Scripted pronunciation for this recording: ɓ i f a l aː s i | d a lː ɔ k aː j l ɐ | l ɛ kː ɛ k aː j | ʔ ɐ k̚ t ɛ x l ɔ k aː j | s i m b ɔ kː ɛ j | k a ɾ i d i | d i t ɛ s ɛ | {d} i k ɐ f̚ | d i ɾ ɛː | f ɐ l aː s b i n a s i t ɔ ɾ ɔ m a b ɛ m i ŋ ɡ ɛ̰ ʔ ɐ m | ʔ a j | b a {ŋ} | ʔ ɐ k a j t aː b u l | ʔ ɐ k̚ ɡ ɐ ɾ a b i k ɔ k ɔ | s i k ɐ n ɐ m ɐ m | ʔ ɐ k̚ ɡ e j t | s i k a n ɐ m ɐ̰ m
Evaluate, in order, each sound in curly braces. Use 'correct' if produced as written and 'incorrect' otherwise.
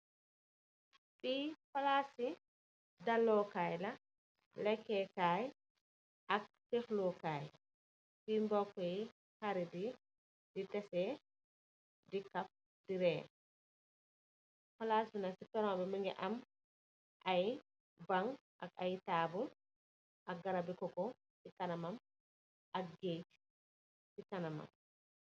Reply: correct, correct

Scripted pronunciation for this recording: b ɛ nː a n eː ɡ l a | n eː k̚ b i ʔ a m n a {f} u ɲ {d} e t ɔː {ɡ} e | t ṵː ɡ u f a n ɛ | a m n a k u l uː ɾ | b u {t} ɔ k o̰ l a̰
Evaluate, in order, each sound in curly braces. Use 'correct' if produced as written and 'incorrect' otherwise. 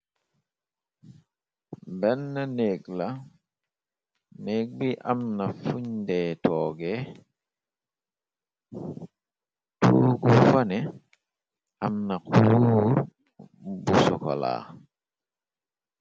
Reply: correct, correct, correct, incorrect: s

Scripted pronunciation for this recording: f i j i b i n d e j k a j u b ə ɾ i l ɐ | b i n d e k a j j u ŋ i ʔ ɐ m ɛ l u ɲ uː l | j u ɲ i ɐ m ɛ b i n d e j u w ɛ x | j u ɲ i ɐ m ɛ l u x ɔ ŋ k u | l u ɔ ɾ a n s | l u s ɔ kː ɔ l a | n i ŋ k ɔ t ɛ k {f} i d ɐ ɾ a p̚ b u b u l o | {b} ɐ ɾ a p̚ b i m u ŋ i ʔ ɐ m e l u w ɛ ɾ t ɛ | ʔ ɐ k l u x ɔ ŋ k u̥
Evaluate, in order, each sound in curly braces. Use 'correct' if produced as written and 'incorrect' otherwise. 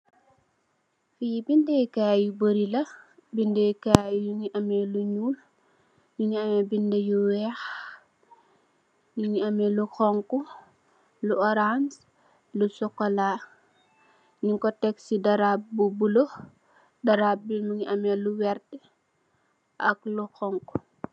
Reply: incorrect: s, incorrect: d

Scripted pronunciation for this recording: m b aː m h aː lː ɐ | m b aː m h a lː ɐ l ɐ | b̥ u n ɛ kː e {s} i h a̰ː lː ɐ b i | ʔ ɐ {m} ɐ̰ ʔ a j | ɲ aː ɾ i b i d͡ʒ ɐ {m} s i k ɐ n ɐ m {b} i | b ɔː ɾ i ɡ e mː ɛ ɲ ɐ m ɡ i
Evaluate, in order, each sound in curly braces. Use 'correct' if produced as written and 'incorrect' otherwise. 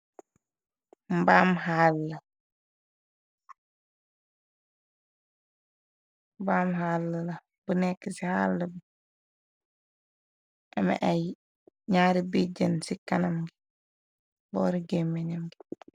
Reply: correct, correct, incorrect: n, incorrect: ɡ

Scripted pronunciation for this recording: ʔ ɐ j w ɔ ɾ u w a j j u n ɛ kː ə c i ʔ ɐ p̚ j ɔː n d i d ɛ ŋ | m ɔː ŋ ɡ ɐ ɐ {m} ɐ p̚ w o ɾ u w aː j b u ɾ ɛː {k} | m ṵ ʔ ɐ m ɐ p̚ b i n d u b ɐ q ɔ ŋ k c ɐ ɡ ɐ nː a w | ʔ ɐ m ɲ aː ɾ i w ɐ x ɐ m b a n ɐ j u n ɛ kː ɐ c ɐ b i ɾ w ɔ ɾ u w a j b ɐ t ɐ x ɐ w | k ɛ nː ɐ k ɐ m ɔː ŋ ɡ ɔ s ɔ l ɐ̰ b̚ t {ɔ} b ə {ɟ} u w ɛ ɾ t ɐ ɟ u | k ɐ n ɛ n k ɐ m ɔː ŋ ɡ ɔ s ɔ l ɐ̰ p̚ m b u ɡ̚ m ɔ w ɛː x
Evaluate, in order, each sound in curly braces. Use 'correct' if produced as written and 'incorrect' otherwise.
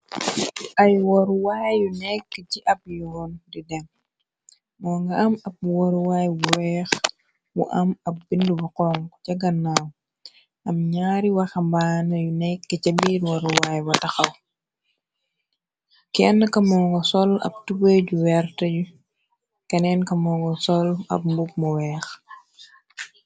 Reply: correct, incorrect: x, incorrect: u, correct

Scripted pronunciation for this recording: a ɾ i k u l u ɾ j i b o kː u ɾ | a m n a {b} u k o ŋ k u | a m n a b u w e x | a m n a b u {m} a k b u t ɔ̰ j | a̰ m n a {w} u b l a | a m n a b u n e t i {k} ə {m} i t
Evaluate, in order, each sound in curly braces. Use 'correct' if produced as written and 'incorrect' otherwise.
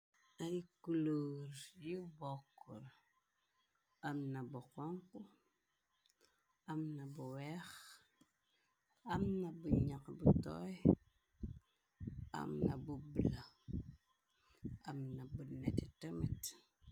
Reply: correct, incorrect: ɲ, incorrect: b, incorrect: t, correct

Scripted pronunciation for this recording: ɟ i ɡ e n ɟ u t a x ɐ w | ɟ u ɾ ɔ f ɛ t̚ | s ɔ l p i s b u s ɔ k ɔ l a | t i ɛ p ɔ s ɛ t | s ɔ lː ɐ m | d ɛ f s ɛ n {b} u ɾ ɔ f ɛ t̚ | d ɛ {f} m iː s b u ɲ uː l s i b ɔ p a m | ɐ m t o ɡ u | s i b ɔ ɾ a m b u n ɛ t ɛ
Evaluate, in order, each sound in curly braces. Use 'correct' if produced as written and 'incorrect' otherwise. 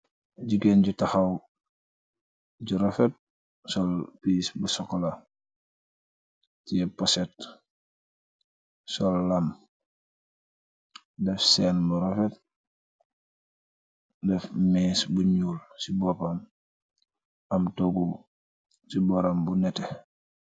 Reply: correct, correct

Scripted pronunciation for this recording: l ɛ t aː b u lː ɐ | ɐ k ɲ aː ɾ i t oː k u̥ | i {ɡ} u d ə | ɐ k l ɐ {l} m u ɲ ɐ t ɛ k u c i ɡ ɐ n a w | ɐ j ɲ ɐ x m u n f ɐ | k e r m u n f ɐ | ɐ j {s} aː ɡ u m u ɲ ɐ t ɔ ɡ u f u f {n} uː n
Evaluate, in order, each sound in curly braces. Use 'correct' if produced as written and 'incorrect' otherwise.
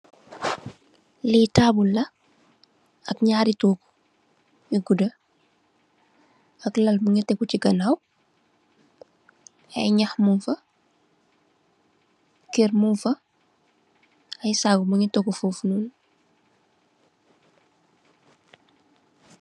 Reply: correct, correct, correct, correct

